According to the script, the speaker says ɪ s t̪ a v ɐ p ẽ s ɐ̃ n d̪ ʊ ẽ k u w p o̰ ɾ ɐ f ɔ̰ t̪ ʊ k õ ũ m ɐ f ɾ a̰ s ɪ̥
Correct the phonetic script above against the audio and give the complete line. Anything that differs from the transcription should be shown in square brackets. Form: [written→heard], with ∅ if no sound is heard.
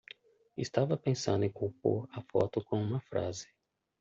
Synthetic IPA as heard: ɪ s t̪ a v ɐ p ẽ s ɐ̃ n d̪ ʊ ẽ k u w p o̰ ɾ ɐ f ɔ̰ t̪ ʊ k õ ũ m ɐ f ɾ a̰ [s→z] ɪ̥